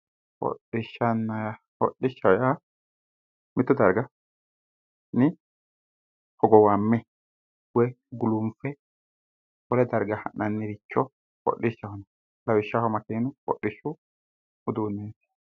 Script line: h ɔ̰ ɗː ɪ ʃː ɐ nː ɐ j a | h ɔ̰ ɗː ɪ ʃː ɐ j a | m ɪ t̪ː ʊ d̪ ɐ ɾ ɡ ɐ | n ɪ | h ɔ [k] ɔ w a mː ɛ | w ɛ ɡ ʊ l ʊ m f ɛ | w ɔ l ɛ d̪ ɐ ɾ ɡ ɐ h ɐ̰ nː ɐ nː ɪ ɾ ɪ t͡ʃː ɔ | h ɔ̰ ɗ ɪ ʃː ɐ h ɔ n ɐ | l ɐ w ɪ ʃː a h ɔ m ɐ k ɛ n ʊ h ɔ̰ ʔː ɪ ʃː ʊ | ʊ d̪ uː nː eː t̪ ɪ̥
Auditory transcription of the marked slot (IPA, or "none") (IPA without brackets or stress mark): ɡ